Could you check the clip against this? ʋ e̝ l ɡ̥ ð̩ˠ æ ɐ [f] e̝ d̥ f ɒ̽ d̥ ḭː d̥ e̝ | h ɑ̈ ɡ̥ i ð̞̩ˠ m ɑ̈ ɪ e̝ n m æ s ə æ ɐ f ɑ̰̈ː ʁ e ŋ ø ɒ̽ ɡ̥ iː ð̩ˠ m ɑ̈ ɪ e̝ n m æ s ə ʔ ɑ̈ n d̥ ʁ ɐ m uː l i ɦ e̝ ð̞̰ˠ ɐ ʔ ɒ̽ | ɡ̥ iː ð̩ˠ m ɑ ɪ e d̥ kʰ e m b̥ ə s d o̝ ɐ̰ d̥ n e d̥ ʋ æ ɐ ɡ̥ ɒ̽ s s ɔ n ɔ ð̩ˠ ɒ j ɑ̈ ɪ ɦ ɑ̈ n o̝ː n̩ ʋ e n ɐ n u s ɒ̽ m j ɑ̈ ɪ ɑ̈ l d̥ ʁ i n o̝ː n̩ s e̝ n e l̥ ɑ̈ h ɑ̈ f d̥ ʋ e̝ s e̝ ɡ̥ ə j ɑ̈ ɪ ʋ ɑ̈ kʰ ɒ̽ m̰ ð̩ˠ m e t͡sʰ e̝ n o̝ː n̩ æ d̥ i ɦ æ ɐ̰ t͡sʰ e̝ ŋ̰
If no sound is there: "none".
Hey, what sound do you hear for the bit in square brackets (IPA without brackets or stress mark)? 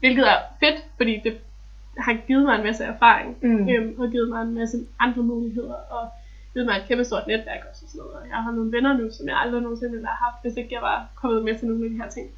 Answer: f